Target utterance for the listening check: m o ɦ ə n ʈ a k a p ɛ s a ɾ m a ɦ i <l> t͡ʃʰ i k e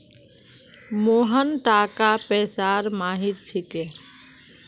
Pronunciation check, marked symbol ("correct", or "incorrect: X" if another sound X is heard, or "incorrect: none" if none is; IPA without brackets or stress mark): incorrect: ɾ